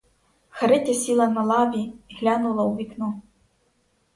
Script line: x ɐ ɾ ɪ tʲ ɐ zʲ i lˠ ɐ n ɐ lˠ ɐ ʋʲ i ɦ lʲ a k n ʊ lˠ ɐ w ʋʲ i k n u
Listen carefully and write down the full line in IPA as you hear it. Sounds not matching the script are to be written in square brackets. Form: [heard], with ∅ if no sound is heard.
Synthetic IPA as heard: x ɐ ɾ ɪ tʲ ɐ [sʲ] i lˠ ɐ n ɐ lˠ [ɑ] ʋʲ i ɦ lʲ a [∅] n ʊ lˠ ɐ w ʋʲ i k n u

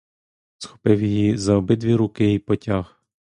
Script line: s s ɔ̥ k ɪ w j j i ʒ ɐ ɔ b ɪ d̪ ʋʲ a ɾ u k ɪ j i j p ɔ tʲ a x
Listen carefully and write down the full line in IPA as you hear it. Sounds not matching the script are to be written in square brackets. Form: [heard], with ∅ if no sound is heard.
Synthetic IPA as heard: s [x] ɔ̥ [p] ɪ w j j i [z] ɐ ɔ b ɪ d̪ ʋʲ [i] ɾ u k ɪ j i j p ɔ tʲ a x

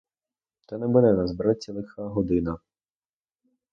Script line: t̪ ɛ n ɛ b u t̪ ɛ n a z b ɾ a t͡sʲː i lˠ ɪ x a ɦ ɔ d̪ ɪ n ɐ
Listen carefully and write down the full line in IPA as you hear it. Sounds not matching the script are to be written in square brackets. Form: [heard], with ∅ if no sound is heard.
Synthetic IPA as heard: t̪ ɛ n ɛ b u [d̪] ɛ n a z b ɾ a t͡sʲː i lˠ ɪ x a ɦ ɔ d̪ ɪ n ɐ

